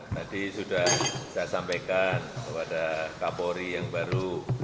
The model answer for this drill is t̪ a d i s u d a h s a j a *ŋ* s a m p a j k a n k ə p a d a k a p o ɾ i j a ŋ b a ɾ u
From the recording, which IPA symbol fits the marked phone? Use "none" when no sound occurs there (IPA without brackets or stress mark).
none